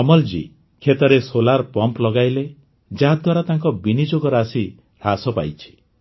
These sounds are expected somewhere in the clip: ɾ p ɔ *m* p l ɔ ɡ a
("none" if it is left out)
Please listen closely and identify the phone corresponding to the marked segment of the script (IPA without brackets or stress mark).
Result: m